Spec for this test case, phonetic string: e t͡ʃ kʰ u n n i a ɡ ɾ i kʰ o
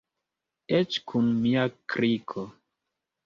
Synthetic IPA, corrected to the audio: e t͡ʃ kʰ u n m i a k ɾ i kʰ o